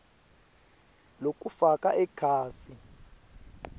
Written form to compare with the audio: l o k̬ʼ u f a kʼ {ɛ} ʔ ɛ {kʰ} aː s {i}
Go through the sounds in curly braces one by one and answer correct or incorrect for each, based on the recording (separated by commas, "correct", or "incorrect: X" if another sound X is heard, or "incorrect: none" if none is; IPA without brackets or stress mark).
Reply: incorrect: a, correct, correct